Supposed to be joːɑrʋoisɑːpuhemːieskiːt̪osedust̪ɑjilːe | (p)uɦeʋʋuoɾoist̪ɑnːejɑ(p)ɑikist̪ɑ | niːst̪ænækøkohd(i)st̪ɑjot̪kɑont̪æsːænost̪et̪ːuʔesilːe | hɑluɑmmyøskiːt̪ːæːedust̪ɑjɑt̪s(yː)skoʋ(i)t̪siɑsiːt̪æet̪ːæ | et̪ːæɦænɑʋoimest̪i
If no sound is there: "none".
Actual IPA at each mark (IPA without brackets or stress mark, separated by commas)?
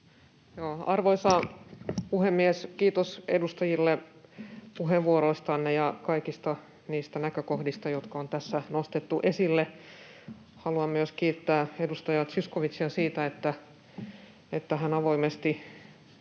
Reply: p, k, i, y, i